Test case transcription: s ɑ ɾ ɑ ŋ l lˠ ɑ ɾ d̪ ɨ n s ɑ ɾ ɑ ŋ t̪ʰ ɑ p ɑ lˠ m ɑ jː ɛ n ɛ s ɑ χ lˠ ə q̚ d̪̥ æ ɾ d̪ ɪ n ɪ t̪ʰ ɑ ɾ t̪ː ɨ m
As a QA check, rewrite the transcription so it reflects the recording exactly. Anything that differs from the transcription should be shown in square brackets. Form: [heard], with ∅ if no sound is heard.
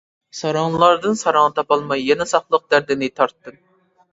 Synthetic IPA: s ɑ ɾ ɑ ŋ l lˠ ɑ ɾ d̪ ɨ n s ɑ ɾ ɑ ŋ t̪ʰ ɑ p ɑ lˠ m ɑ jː ɛ n ɛ s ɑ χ lˠ ə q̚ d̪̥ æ ɾ d̪ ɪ n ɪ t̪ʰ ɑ ɾ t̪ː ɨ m